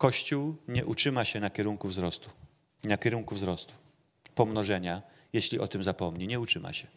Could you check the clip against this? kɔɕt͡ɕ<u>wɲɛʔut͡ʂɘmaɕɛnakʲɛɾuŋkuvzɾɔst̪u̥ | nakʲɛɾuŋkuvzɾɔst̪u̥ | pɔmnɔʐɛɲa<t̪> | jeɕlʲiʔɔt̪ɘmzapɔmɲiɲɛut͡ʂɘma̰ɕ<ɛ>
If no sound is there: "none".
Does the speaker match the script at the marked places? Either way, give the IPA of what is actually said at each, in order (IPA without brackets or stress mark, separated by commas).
u, none, ɛ